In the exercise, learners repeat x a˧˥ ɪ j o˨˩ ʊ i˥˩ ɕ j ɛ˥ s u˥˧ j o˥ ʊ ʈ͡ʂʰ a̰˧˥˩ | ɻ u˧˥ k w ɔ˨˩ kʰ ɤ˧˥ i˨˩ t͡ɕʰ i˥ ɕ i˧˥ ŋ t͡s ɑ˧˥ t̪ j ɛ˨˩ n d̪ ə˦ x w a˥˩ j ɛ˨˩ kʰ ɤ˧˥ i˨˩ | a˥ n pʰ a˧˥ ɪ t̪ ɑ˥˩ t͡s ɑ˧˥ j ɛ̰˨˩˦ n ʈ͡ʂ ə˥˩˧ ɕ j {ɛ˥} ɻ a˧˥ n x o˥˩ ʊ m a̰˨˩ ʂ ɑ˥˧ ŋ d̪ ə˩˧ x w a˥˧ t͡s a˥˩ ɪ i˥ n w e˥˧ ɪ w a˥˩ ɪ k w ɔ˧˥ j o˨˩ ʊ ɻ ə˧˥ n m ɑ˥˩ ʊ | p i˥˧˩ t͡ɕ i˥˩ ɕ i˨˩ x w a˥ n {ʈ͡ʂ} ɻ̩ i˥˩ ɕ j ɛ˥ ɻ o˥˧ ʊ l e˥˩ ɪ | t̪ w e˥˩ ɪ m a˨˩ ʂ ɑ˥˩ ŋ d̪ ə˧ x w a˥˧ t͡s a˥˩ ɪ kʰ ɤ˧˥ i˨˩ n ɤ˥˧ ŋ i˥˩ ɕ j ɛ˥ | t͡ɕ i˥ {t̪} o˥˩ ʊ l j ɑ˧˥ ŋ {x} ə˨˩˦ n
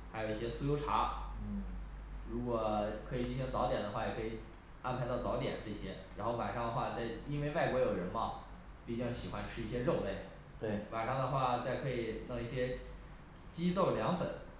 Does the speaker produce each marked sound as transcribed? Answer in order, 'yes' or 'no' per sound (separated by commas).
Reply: yes, no, yes, no